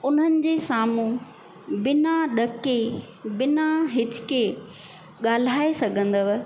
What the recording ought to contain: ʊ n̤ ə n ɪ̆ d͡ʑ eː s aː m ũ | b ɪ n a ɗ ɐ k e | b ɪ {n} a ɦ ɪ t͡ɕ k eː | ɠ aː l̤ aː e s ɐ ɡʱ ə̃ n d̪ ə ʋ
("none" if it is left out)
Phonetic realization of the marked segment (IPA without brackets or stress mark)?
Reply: n